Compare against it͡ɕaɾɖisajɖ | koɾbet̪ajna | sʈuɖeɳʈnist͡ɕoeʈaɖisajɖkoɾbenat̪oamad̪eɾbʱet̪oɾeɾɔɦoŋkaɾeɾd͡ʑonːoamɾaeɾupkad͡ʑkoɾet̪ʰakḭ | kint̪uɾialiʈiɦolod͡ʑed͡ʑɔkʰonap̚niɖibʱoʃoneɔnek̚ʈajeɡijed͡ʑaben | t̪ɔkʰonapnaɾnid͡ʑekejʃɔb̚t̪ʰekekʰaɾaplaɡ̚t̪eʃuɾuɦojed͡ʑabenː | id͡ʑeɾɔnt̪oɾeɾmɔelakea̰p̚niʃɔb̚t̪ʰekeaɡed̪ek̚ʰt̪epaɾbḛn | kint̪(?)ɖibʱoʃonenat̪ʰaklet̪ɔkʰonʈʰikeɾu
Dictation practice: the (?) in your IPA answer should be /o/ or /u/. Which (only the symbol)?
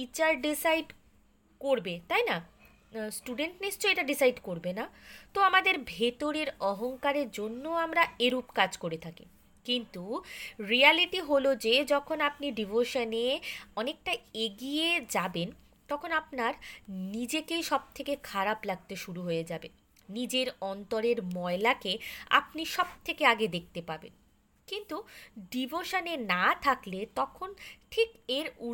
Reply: u